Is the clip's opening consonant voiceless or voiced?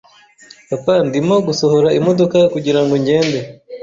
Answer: voiceless